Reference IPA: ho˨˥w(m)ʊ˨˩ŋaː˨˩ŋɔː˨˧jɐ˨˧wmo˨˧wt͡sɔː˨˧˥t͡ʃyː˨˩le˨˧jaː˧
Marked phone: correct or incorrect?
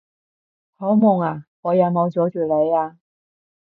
correct